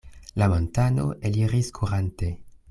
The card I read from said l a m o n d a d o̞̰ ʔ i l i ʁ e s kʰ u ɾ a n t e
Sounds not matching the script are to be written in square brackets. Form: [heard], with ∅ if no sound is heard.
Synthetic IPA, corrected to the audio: l a m o n [t] a [n] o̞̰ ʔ [e] l i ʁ [i] s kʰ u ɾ a n t e